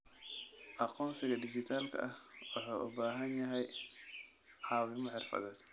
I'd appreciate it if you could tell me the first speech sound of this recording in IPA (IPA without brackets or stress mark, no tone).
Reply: ʔ